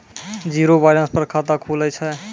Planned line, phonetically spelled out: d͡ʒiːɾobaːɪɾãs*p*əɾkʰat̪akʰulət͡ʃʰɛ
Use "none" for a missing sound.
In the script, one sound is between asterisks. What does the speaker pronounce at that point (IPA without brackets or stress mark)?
p